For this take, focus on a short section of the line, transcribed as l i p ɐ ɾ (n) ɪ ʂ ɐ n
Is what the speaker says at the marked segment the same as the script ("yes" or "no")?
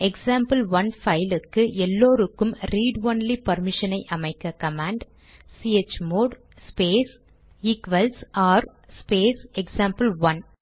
no